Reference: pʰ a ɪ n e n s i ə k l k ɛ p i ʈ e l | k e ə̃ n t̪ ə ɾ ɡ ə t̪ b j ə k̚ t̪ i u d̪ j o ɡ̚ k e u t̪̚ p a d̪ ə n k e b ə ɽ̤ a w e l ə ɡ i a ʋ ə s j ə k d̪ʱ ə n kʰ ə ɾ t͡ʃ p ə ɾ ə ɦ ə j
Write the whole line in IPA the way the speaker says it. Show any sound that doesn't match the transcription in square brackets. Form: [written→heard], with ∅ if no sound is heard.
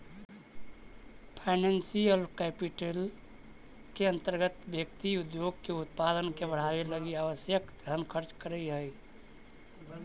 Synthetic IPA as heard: pʰ a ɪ n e n s i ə [k→∅] l k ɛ p i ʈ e l | k e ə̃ n t̪ ə ɾ ɡ ə t̪ b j ə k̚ t̪ i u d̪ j o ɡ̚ k e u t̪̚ p a d̪ ə n k e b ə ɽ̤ a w e l ə ɡ i a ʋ ə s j ə k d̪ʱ ə n kʰ ə ɾ t͡ʃ [p→k] ə ɾ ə ɦ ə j